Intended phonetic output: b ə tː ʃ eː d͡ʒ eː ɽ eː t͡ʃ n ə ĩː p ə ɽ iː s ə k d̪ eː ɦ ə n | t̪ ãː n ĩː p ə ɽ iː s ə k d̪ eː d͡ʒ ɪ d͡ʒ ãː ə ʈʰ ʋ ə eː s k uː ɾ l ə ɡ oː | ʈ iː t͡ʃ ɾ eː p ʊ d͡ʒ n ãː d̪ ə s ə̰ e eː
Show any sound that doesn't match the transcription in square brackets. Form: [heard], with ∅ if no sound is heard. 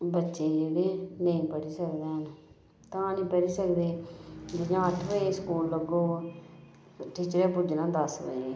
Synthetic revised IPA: b ə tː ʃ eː d͡ʒ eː ɽ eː [∅] n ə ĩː p ə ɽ iː s ə k d̪ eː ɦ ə n | t̪ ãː n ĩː p ə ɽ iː s ə k d̪ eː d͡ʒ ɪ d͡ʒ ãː ə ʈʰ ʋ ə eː s k uː [l] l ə ɡ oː | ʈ iː t͡ʃ ɾ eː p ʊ d͡ʒ n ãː d̪ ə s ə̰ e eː